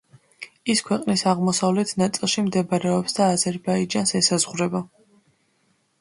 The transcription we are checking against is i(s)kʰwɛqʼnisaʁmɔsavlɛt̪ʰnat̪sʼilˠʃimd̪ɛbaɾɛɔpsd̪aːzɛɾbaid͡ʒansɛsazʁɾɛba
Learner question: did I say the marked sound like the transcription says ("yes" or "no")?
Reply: yes